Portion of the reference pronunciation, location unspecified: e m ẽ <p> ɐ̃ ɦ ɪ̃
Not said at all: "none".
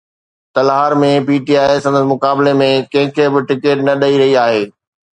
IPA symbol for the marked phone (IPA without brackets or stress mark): k